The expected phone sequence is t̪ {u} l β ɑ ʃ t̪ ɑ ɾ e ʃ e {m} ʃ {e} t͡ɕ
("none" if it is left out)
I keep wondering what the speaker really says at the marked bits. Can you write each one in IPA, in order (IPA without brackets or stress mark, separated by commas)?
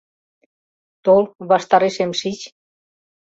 o, m, i